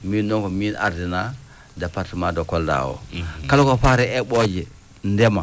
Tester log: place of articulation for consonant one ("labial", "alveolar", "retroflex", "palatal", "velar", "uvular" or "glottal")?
labial